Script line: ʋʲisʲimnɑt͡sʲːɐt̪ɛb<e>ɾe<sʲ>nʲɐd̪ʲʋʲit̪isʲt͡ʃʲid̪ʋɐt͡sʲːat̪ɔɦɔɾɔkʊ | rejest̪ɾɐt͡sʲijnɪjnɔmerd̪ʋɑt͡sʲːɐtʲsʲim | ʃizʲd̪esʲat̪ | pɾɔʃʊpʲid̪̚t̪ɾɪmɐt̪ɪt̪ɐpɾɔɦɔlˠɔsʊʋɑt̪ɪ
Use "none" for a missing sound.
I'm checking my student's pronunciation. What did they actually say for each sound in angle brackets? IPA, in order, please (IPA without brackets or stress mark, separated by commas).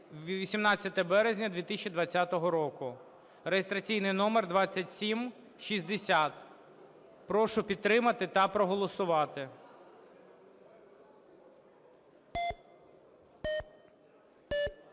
ɛ, zʲ